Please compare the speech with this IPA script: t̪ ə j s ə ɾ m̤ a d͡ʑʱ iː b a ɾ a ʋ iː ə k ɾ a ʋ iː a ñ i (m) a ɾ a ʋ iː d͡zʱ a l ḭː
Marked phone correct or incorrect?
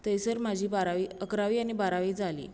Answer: incorrect